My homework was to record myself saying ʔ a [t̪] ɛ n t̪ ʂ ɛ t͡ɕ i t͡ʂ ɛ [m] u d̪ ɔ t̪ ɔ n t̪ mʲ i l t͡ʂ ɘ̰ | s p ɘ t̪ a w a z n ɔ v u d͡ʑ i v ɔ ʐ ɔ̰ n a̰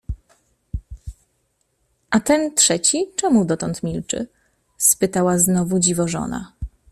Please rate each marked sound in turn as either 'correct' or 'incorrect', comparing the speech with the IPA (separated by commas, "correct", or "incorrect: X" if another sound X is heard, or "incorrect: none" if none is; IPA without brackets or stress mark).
correct, correct